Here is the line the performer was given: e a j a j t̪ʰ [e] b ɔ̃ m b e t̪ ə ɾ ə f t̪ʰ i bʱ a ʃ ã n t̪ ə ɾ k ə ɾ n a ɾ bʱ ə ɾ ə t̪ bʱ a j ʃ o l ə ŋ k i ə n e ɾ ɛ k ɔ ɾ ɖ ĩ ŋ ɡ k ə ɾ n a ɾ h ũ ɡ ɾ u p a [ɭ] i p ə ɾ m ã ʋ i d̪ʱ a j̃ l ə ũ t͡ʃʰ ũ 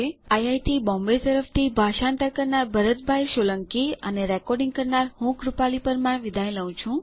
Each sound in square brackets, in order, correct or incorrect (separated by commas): incorrect, incorrect